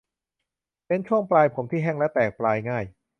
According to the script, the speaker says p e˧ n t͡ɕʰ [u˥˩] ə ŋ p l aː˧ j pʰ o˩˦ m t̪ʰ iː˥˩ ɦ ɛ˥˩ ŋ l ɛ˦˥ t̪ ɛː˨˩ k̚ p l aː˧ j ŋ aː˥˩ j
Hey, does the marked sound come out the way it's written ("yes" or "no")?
yes